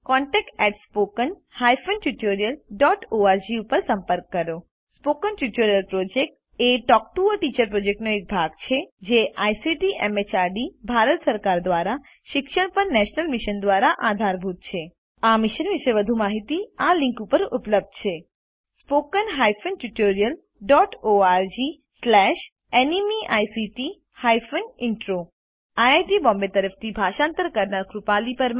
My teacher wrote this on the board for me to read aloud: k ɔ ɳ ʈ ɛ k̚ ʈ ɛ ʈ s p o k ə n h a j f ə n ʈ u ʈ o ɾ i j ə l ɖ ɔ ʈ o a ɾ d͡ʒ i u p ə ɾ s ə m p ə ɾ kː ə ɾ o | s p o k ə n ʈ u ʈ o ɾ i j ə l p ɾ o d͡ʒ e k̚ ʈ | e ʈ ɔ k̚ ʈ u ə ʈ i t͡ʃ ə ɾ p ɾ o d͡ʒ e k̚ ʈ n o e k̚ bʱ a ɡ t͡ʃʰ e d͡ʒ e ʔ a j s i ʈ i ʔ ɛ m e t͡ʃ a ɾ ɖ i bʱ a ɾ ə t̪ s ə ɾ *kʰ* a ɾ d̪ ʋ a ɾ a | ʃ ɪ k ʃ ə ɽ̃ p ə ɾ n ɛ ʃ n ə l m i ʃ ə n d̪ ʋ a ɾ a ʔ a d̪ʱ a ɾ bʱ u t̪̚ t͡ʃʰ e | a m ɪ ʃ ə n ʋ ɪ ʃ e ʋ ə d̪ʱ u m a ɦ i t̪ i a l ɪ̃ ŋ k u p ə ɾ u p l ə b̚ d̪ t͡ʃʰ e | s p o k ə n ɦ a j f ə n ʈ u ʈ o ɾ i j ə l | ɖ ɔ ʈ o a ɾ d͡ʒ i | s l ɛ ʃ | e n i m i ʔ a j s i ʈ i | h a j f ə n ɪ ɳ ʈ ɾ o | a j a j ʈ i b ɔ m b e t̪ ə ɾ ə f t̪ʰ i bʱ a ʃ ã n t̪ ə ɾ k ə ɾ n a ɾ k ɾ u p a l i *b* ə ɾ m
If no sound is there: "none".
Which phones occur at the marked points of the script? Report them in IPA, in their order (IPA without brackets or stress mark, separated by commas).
k, p